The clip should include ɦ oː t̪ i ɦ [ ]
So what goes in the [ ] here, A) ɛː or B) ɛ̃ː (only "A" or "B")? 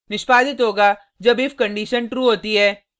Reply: A